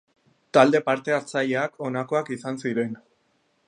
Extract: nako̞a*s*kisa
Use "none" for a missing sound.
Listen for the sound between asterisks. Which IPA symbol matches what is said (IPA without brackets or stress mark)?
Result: none